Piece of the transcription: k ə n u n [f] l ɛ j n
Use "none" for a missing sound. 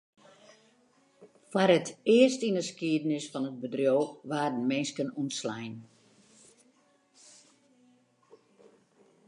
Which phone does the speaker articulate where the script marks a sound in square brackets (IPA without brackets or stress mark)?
s